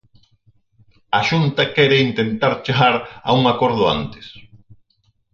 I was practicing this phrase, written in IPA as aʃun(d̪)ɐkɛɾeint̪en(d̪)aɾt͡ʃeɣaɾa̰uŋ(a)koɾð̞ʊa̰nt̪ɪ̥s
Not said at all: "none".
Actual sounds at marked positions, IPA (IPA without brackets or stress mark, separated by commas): t̪, t̪, a